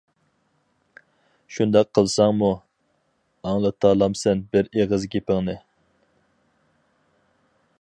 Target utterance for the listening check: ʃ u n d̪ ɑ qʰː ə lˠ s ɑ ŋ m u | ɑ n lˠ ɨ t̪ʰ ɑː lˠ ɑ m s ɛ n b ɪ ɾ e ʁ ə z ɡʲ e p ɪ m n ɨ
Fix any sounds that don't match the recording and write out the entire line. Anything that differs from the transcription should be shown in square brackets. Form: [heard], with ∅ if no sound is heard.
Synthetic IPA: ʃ u n d̪ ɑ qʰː ə lˠ s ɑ ŋ m u | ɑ [ŋ] lˠ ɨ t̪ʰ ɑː lˠ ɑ m s ɛ n b ɪ ɾ e ʁ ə z ɡʲ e p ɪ [ŋ] n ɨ